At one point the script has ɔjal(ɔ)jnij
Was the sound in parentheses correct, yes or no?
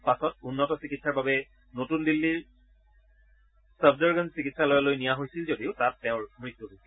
no